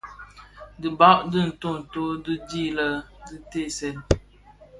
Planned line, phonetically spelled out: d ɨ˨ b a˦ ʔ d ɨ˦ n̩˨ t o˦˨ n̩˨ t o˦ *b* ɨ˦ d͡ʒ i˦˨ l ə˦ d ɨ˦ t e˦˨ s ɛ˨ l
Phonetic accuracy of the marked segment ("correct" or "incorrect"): incorrect